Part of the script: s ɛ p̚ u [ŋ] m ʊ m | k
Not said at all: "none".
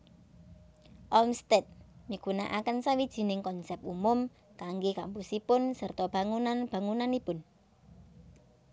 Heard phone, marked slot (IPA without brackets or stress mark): none